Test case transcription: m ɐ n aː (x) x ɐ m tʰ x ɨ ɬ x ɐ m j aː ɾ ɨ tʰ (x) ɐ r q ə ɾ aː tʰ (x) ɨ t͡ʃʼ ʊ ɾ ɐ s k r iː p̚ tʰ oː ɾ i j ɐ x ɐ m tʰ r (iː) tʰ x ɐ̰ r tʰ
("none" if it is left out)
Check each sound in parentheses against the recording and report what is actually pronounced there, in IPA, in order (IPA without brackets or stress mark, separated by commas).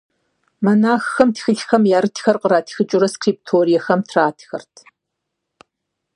x, x, x, aː